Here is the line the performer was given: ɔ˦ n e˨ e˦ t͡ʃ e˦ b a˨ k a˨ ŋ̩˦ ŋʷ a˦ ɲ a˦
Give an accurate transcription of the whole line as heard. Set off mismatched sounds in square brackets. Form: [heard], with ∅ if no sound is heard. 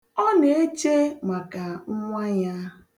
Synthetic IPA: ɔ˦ n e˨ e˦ t͡ʃ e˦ [m] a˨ k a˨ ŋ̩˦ ŋʷ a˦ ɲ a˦